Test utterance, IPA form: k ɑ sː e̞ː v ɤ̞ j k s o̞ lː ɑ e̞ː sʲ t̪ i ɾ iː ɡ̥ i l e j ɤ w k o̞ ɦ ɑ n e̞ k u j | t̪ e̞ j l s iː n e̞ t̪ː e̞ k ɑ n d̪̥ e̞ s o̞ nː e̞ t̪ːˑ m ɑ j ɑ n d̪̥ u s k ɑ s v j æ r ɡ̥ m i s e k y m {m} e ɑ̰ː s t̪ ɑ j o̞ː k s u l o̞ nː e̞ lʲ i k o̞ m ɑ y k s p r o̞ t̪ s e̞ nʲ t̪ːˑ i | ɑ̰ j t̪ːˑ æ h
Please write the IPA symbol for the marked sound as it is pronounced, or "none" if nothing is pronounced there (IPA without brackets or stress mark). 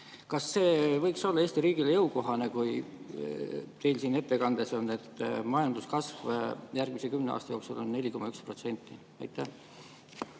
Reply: n